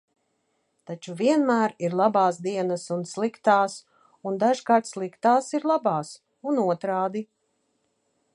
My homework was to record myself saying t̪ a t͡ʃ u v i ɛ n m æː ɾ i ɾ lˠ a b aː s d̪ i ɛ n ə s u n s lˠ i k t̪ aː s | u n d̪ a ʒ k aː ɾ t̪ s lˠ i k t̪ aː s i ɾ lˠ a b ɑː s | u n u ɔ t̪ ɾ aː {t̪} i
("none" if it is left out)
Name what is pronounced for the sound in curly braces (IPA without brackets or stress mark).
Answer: d̪